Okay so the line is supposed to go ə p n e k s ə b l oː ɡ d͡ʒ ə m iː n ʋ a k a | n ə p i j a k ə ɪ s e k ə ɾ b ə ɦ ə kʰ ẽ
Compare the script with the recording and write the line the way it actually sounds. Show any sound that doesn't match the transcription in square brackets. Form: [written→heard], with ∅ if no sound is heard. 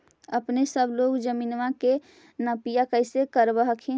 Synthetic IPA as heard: ə p n e [k→∅] s ə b l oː ɡ d͡ʒ ə m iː n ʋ a k [a→e] | n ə p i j a k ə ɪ s e k ə ɾ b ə ɦ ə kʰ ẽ